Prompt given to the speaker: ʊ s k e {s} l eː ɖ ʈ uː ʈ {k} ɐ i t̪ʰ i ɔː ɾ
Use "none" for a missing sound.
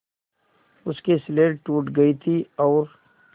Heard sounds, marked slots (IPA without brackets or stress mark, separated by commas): s, ɡ